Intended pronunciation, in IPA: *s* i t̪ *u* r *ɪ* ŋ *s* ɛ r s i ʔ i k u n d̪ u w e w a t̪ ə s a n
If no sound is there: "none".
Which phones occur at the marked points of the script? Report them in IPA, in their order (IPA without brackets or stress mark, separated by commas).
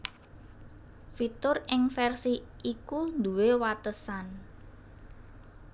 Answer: f, ʊ, ɪ, f